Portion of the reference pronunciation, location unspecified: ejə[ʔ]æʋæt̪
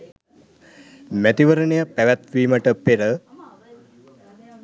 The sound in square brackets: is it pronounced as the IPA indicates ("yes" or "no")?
no